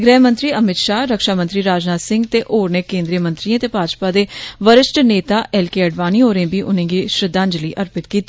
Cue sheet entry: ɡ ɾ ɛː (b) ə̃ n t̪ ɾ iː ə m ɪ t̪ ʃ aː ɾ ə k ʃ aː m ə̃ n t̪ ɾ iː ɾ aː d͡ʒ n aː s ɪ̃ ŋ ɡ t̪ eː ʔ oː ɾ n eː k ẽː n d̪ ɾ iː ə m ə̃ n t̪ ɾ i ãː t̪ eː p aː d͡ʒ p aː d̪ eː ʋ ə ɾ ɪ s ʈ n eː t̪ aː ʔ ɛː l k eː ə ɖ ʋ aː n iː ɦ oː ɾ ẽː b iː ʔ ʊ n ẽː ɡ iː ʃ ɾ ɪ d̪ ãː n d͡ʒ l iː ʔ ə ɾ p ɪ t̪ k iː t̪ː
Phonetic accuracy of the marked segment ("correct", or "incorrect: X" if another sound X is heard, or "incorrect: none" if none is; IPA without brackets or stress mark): incorrect: m